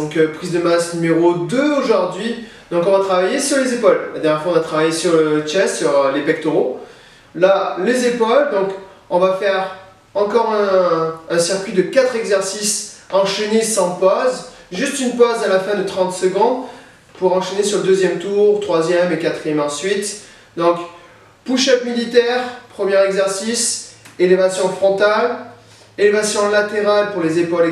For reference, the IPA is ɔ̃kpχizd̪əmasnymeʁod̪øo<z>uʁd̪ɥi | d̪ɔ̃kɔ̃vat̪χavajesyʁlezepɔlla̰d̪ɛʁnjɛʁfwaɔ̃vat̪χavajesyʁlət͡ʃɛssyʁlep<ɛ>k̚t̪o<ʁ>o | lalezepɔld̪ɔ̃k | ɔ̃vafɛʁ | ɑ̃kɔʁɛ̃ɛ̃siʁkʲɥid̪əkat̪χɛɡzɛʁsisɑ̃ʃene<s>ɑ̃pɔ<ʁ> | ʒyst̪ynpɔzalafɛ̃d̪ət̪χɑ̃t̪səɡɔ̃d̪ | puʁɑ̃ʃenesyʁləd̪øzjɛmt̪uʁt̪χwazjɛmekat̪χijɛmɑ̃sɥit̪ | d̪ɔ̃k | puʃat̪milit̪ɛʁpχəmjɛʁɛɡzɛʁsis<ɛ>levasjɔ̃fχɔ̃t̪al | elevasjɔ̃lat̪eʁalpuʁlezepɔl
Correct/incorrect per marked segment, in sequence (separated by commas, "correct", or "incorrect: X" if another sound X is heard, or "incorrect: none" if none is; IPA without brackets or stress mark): incorrect: ʒ, correct, correct, correct, incorrect: z, incorrect: e